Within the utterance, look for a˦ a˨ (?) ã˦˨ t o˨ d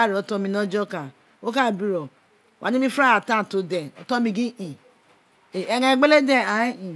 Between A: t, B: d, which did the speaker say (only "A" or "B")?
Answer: A